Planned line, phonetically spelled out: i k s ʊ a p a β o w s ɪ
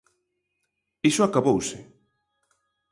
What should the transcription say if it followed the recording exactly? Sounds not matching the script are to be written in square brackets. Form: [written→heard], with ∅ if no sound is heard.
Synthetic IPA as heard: i [k→∅] s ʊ a [p→k] a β o w s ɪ